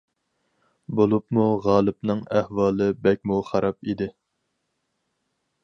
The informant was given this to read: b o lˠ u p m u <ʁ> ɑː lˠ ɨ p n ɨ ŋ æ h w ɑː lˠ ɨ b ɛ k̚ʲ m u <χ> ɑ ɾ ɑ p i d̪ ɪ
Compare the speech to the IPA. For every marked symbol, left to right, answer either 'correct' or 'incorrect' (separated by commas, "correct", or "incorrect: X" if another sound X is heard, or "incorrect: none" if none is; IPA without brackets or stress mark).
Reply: correct, correct